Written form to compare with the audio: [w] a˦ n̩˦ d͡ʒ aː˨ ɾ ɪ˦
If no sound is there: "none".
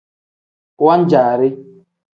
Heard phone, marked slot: w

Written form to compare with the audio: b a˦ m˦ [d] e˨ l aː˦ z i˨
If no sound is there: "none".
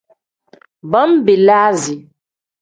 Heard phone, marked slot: b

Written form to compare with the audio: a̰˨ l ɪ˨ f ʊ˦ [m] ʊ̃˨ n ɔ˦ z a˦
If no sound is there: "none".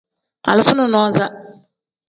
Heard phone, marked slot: n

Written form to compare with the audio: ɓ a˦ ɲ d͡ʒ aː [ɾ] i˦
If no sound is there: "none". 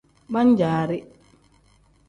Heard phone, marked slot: ɾ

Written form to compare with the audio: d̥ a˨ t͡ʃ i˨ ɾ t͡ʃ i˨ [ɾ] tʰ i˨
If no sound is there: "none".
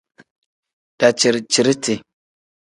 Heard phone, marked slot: ɾ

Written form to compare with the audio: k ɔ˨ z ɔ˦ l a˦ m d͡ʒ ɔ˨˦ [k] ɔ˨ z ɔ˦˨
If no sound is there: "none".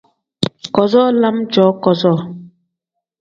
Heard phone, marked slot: k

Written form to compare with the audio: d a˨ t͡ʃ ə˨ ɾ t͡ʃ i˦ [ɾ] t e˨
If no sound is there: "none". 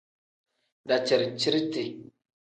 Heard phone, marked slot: ɾ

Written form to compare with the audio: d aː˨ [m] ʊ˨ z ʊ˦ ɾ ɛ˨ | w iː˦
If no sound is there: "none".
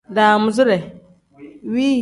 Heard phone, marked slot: m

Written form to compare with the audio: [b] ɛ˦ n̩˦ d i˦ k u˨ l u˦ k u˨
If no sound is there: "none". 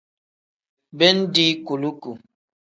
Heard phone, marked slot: b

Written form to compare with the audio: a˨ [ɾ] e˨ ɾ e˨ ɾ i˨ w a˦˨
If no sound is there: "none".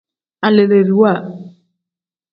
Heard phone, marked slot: l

